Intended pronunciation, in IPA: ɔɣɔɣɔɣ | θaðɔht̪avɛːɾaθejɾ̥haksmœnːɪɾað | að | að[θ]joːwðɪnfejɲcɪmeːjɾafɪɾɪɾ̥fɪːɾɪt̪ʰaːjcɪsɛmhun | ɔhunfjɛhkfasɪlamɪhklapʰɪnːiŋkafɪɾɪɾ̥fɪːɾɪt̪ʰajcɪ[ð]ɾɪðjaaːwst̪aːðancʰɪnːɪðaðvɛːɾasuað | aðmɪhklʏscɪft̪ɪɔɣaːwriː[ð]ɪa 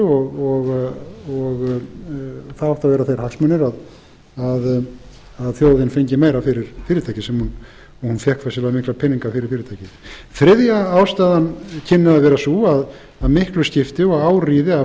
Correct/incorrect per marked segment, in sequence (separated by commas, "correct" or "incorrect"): correct, incorrect, correct